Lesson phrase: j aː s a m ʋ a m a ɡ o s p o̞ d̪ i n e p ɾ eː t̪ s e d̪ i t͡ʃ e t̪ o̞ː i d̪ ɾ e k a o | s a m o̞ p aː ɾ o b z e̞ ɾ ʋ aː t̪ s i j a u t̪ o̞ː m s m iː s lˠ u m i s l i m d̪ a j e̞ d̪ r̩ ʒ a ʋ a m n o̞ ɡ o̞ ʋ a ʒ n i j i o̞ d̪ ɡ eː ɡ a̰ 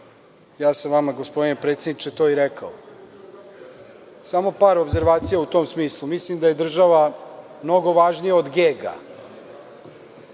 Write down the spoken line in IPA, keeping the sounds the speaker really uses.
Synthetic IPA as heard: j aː s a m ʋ a m a ɡ o s p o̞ d̪ i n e p ɾ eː t̪ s e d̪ i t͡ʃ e t̪ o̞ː i ɾ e k a o | s a m o̞ p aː ɾ o b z e̞ ɾ ʋ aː t̪ s i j a u t̪ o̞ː m s m iː s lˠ u m i s l i m d̪ a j e̞ d̪ r̩ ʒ a ʋ a m n o̞ ɡ o̞ ʋ a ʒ n i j a o̞ d̪ ɡ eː ɡ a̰